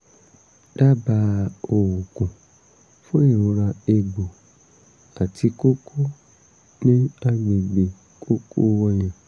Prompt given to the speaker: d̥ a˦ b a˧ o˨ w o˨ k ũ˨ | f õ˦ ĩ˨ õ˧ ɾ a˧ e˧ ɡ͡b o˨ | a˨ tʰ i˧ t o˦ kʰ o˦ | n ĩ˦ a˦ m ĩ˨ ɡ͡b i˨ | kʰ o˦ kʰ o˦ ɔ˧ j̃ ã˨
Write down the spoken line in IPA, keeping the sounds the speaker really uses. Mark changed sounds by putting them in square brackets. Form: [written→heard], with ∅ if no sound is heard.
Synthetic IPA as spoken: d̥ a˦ b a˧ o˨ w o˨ k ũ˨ | f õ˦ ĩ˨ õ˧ ɾ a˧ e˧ ɡ͡b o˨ | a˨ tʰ i˧ [t→k] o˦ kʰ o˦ | n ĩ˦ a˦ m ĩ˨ ɡ͡b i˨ | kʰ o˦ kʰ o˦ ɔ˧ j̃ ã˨

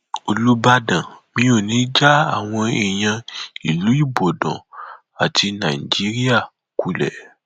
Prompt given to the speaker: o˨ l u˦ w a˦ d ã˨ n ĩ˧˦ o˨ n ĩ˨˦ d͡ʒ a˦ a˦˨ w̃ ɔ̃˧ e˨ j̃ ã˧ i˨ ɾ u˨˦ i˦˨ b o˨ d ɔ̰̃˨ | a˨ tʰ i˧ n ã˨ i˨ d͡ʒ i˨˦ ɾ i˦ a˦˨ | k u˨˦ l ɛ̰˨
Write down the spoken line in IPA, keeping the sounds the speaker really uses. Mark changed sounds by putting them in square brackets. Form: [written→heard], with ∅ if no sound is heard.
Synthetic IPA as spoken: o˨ l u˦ [w→b] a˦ d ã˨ [n→m] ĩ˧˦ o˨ n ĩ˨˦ d͡ʒ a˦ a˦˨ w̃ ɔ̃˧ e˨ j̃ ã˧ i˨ [ɾ→l] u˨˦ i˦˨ b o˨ d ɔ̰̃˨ | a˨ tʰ i˧ n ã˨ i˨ d͡ʒ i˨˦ ɾ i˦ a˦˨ | k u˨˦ l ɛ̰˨

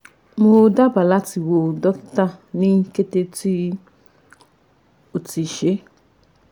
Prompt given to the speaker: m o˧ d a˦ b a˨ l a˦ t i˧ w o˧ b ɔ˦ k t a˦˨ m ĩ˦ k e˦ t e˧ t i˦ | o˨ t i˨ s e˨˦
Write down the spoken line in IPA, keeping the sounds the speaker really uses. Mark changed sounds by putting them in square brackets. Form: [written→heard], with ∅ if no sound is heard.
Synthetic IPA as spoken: m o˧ d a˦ b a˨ l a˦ t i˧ w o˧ [b→d] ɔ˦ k t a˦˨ [m→n] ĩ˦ k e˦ t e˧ t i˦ | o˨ t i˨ [s→ʃ] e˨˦

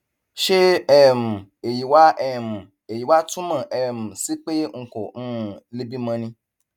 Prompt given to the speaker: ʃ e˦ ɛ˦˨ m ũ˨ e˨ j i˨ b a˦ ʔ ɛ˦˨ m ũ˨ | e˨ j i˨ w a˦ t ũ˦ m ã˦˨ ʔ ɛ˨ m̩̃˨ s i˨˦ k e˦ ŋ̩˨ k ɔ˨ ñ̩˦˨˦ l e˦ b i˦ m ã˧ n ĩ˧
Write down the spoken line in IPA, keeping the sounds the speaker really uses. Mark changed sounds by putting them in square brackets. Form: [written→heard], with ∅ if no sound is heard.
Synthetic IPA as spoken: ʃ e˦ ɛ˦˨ m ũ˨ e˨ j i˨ [b→w] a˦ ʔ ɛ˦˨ m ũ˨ | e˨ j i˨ w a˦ t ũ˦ m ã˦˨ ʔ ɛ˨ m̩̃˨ s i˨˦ [k→k͡p] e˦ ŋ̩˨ k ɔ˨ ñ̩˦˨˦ l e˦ b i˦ m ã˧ n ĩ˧

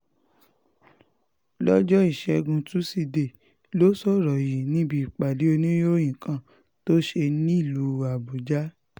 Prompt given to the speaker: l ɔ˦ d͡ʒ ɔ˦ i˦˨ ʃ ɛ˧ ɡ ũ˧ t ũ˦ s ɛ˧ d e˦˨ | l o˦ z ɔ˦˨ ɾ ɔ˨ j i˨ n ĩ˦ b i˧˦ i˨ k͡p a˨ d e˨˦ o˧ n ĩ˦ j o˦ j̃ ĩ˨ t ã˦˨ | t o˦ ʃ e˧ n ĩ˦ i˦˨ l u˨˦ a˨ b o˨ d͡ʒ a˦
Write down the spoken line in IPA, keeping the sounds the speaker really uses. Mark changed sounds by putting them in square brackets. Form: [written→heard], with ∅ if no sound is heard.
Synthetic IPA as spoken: l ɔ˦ d͡ʒ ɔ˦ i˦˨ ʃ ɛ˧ ɡ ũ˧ t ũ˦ s [ɛ˧→i˧] d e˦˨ | l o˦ [z→s] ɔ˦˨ ɾ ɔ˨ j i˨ n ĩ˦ b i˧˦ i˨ k͡p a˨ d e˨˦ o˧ n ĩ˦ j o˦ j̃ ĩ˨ [t→k] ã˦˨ | t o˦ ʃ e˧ n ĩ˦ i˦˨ l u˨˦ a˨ b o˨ d͡ʒ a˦

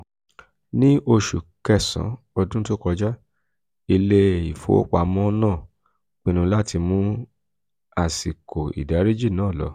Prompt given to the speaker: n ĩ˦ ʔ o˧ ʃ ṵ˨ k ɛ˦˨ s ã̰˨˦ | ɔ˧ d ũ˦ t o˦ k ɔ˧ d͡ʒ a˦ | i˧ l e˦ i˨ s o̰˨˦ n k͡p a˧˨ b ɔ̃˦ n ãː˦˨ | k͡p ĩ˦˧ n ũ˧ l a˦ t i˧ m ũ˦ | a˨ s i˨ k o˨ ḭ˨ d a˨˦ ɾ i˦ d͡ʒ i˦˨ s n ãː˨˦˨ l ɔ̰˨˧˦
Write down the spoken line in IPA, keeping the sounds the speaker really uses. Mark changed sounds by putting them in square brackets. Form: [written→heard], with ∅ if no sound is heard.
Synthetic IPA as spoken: n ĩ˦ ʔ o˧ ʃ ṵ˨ k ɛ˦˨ s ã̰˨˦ | ɔ˧ d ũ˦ t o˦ k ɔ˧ d͡ʒ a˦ | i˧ l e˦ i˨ [s→f] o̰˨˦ [n→∅] k͡p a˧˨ [b→m] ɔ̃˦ n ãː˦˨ | k͡p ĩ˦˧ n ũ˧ l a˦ t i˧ m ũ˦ | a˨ s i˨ k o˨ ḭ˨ d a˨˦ ɾ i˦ d͡ʒ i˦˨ [s→∅] n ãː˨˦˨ l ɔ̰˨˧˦

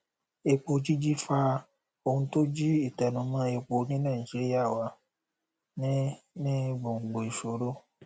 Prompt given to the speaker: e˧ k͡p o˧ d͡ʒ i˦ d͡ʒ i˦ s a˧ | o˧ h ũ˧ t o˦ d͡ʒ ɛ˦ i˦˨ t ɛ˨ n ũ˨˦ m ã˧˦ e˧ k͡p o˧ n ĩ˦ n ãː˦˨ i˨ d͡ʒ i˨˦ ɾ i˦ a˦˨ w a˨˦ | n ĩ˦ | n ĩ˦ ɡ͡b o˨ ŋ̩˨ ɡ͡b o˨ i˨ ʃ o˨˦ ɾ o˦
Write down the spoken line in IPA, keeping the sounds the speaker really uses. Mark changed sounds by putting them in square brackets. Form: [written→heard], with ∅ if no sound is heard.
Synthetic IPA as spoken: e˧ k͡p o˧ d͡ʒ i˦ d͡ʒ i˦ [s→f] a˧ | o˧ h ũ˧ t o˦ d͡ʒ [ɛ˦→i˦] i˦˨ t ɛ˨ n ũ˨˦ m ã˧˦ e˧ k͡p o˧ n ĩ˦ n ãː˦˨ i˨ d͡ʒ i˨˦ ɾ i˦ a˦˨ w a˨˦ | n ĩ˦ | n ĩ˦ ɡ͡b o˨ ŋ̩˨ ɡ͡b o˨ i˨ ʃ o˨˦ ɾ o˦

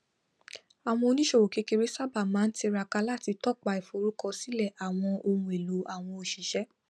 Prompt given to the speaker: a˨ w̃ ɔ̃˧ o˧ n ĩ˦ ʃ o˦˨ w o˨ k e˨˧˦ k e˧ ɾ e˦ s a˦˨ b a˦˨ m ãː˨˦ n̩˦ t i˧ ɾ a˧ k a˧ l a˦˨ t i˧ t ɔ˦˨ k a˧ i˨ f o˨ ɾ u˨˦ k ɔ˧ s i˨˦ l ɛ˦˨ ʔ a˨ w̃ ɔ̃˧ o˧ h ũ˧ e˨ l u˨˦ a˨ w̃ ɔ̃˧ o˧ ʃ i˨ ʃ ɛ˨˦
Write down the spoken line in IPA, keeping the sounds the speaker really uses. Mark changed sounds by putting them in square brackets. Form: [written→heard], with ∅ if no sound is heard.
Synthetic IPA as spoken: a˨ w̃ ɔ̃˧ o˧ n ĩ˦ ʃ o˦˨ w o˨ k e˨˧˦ k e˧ ɾ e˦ s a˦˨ b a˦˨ m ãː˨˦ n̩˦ t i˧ ɾ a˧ k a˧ l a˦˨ t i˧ t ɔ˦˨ [k→k͡p] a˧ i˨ f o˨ ɾ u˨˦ k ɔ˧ s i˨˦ l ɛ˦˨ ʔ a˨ w̃ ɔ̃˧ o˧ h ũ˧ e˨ l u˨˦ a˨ w̃ ɔ̃˧ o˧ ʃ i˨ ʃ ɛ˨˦

